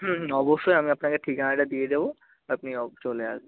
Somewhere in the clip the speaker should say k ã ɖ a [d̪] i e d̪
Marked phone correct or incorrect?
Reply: correct